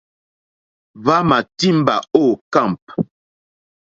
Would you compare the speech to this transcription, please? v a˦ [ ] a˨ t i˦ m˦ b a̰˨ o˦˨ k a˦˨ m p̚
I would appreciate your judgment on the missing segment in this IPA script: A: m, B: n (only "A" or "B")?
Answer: A